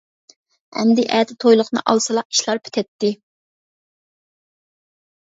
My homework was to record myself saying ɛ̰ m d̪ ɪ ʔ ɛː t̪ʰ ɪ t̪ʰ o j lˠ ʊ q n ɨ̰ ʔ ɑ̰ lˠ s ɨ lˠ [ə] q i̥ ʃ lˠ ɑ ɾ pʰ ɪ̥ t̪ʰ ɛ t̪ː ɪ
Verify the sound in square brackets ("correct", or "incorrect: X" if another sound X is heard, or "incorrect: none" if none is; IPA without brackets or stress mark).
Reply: incorrect: ɑ